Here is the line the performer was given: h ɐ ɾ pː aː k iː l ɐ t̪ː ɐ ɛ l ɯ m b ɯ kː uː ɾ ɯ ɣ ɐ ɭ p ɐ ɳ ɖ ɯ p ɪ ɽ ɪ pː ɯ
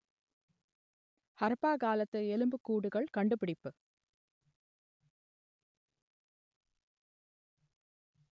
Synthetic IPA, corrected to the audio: h ɐ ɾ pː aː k aː l ɐ t̪ː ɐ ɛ l ɯ m b ɯ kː uː ɽ ɯ ɣ ɐ ɭ k ɐ ɳ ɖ ɯ p ɪ ɽ ɪ pː ɯ